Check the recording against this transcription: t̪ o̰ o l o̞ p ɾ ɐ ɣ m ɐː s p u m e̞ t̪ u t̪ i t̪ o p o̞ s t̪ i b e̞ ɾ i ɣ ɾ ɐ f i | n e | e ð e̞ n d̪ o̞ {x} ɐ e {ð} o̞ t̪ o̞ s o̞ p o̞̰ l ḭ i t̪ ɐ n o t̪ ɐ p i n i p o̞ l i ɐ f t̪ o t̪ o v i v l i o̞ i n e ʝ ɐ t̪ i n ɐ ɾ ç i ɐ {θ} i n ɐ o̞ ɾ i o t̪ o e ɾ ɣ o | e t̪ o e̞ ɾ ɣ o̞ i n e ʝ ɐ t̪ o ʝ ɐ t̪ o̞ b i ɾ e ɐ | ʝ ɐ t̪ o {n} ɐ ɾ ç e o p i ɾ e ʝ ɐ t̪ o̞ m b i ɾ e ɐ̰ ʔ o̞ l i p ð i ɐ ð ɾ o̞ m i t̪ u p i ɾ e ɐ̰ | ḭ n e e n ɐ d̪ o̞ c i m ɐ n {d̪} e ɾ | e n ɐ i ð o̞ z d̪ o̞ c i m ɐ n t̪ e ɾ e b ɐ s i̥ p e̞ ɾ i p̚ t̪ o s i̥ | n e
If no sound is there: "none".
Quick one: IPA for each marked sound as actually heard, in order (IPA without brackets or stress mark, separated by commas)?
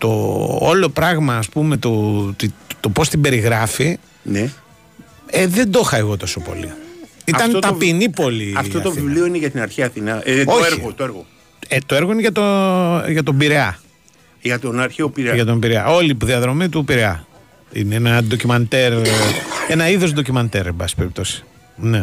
x, ɣ, θ, n, t̪